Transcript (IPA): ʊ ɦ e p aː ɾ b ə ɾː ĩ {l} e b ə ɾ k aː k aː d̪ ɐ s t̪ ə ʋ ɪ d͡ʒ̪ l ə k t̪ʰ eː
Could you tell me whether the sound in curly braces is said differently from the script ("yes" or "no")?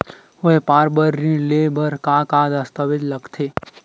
no